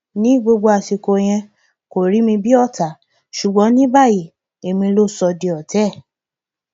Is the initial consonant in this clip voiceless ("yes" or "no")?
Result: no